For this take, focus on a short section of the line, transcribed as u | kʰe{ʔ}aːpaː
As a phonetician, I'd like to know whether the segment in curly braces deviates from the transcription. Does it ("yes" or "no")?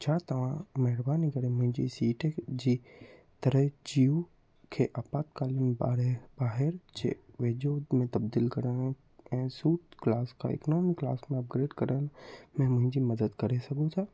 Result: no